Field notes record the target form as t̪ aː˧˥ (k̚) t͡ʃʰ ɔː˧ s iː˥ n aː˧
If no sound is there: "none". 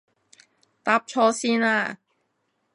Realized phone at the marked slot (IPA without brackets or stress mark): p̚